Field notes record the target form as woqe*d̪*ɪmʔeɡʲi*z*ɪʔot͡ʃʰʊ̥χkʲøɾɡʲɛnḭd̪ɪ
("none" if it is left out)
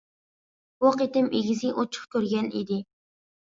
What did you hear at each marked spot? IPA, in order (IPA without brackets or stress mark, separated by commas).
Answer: t̪, z